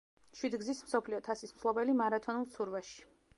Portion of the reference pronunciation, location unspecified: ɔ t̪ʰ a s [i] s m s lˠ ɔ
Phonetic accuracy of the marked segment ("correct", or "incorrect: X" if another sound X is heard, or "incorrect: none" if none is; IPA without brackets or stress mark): correct